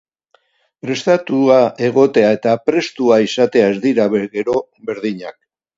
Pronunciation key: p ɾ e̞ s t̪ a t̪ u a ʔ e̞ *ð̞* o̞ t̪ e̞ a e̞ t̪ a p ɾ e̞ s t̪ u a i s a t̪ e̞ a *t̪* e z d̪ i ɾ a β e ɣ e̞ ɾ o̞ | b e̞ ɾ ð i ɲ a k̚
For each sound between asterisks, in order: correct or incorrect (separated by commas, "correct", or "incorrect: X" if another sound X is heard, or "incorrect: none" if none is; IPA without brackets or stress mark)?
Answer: incorrect: ɣ̞, incorrect: none